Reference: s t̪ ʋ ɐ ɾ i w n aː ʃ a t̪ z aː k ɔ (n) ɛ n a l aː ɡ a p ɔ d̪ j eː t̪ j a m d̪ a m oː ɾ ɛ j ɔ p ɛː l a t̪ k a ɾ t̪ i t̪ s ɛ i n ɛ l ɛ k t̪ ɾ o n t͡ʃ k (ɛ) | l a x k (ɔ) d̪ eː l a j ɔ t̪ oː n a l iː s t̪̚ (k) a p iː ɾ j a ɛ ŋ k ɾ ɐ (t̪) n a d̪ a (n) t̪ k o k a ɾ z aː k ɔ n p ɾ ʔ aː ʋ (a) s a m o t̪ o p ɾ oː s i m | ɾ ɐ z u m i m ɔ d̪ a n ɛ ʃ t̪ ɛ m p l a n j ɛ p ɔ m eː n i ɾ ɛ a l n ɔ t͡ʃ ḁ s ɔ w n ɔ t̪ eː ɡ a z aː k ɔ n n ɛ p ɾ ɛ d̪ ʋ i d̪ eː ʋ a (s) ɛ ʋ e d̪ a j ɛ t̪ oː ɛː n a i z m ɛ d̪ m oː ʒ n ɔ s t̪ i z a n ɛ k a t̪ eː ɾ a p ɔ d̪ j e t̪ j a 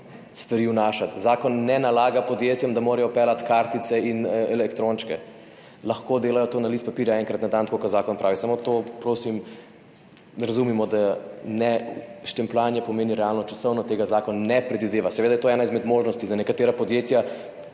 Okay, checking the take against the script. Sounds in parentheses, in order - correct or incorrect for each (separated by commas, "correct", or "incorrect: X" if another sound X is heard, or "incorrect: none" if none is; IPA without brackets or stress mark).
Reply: incorrect: nː, correct, incorrect: o, incorrect: p, correct, correct, incorrect: i, correct